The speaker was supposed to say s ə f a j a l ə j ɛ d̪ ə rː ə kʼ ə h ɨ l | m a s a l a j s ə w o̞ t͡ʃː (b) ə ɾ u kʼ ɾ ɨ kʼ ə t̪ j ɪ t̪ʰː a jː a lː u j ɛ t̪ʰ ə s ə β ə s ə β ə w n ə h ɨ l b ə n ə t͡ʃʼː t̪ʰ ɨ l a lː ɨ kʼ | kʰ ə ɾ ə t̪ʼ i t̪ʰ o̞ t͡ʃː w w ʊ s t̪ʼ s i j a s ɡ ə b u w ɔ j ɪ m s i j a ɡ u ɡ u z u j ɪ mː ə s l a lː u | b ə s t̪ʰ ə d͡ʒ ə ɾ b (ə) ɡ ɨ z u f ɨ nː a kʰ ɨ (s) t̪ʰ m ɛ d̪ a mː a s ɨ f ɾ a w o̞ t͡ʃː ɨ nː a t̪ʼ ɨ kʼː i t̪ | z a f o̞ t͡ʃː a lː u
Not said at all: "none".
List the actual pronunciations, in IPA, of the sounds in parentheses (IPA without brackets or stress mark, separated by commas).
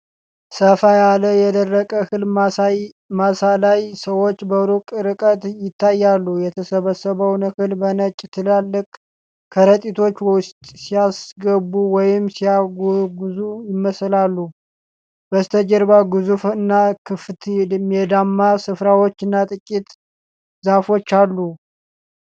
b, a, f